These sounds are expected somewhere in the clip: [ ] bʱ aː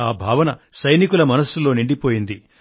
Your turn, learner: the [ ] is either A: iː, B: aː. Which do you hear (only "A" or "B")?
B